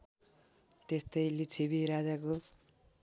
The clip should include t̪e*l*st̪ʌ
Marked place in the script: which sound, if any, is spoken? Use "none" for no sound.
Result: none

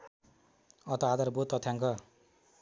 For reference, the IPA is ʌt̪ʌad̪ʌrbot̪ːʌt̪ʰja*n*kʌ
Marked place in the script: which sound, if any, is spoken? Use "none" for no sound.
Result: ŋ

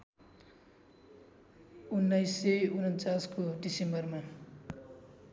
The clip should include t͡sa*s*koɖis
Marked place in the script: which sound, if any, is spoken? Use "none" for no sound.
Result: s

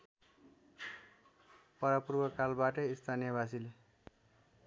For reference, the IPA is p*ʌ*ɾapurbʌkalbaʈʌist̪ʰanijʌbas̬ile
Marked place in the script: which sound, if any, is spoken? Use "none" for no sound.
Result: ʌ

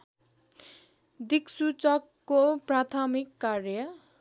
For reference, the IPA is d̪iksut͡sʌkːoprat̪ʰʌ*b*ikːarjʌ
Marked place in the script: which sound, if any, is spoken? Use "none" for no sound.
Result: m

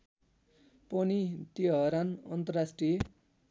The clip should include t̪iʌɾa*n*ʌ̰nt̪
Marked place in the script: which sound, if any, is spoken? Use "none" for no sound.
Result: n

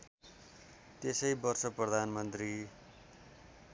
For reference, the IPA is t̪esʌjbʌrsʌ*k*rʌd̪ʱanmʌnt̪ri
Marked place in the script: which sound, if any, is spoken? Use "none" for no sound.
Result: p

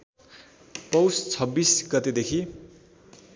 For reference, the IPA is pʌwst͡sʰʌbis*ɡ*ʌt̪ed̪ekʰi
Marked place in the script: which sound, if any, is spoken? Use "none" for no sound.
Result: ɡ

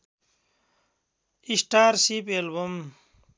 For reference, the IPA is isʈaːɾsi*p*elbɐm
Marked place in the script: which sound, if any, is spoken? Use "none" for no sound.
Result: p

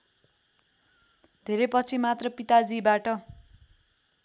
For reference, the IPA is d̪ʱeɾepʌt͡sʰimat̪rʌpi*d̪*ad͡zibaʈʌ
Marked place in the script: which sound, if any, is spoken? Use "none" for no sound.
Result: t̪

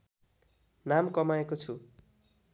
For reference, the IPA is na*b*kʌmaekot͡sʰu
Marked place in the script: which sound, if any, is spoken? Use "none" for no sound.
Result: m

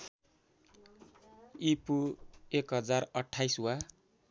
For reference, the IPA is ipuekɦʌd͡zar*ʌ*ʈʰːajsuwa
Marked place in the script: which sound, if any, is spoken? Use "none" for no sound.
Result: ʌ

